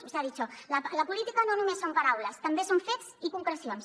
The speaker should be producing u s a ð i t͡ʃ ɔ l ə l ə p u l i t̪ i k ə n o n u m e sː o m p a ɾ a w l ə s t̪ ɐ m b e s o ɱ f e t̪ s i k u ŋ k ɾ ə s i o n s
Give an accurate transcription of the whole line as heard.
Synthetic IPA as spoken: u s a ð i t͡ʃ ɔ l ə l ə p u l i t̪ i k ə n o n u m e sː o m p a ɾ a w l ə s t̪ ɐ m b e s o ɱ f e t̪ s i k u ŋ k ɾ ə s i o n s